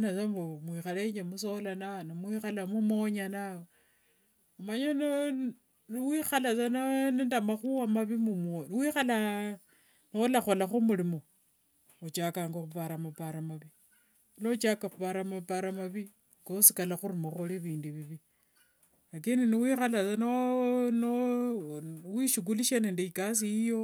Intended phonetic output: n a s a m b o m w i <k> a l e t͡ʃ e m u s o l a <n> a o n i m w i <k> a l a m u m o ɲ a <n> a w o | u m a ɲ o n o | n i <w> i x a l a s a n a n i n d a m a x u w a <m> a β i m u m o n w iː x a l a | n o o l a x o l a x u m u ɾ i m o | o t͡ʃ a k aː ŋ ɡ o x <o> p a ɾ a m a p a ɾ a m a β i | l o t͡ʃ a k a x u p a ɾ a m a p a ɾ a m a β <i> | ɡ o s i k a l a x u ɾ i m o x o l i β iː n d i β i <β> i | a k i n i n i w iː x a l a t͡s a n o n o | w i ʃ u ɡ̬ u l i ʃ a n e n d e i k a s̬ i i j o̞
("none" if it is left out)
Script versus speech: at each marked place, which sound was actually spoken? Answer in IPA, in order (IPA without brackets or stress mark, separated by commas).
x, n, x, n, w, m, u, i, β